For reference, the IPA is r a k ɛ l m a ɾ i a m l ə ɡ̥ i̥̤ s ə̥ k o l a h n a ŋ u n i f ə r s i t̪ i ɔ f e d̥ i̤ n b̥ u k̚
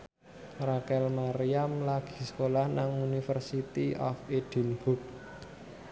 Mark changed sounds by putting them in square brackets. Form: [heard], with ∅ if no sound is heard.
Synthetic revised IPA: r a k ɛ l m a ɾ i a m l [a] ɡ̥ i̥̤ s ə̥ k o l a h n a ŋ u n i f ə r s i t̪ i ɔ f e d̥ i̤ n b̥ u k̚